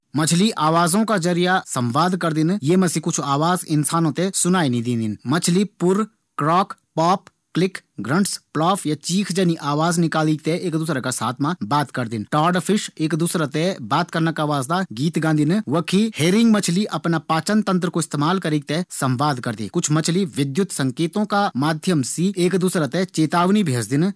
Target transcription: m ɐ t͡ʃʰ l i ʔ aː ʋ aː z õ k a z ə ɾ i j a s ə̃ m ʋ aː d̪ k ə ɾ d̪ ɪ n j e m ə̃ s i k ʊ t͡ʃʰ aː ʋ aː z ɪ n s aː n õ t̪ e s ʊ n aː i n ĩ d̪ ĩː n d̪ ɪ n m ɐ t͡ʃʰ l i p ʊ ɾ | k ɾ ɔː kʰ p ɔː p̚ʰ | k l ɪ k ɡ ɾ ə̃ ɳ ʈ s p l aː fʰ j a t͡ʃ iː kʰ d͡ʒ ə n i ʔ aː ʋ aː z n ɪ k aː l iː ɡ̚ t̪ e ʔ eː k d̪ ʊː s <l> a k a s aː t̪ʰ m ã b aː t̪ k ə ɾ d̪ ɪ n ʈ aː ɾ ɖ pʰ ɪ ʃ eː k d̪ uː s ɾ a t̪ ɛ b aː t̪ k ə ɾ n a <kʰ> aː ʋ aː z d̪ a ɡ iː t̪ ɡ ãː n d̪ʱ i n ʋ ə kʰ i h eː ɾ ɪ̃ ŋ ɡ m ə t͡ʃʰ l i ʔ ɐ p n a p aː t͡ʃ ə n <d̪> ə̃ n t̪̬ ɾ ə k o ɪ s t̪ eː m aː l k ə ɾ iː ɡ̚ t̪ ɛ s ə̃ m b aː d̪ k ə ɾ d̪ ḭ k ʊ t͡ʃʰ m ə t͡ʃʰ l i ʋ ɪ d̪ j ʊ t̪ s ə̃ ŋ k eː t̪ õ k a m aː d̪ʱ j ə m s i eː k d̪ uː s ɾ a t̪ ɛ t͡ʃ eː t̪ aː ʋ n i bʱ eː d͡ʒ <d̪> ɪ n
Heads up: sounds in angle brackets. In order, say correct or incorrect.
incorrect, incorrect, incorrect, correct

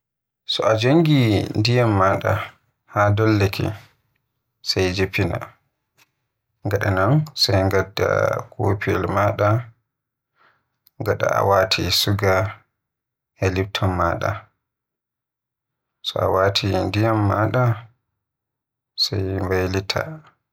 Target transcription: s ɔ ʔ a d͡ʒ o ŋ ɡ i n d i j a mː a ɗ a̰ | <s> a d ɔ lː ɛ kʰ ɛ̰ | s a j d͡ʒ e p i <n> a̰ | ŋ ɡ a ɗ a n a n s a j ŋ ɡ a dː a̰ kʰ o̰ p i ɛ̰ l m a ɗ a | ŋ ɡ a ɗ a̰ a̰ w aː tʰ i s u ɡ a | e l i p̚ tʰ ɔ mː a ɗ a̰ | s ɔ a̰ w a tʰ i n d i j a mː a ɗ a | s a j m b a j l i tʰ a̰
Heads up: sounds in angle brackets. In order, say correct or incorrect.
incorrect, correct

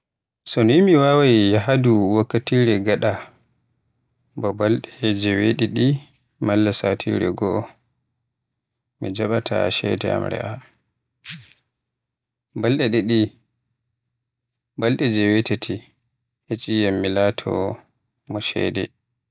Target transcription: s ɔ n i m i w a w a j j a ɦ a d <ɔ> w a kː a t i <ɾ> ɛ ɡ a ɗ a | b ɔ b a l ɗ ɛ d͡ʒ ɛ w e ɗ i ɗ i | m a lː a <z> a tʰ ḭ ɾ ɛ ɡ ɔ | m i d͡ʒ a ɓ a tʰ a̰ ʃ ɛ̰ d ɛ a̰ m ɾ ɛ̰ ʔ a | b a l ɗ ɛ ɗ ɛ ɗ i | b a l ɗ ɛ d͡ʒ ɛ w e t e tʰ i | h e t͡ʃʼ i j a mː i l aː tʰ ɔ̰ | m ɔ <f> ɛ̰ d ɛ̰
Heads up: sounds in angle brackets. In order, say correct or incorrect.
incorrect, correct, incorrect, incorrect

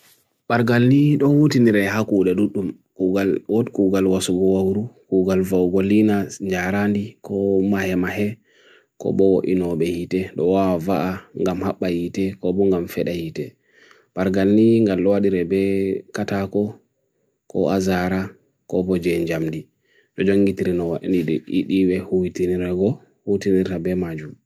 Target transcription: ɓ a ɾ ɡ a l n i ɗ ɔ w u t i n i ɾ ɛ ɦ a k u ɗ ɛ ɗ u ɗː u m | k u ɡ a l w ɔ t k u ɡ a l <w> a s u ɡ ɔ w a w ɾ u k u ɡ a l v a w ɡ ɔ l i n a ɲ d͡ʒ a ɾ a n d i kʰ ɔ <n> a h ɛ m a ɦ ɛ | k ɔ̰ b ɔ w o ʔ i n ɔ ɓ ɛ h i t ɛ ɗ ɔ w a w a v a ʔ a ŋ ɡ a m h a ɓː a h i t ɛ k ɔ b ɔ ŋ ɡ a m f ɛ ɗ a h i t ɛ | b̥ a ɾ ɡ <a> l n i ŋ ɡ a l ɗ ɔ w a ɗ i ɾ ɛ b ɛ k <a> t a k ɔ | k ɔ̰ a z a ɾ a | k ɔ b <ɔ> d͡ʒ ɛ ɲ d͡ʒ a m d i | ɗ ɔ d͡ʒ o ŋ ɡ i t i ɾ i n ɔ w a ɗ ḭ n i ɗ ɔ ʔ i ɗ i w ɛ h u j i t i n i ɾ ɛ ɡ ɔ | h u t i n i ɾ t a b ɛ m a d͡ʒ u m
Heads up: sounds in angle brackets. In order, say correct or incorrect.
correct, incorrect, correct, correct, correct

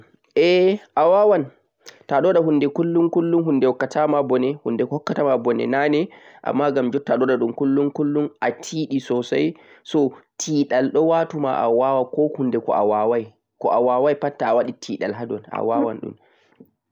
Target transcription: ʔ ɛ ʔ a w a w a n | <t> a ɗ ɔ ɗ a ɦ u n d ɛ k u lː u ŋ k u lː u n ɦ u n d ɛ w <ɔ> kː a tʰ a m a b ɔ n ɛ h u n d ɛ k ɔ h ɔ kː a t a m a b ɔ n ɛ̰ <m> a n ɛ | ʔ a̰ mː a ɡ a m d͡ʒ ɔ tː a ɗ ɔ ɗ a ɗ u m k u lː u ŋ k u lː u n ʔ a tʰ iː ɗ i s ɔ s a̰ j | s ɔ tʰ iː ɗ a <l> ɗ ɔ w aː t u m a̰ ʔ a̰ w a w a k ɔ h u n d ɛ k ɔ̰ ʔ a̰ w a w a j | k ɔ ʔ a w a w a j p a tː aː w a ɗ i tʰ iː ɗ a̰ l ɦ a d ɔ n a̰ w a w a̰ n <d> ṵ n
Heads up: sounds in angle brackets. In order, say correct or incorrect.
correct, correct, incorrect, correct, incorrect

